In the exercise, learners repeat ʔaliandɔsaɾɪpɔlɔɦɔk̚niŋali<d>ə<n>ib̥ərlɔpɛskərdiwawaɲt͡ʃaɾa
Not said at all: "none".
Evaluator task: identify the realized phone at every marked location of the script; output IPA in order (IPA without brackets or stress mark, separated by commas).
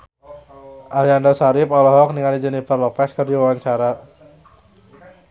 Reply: d͡ʒ, n